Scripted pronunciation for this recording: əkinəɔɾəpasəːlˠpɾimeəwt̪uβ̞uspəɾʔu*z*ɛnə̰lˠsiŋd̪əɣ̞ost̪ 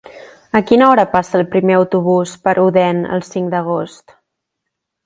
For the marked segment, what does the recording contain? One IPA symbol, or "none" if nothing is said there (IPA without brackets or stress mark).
ð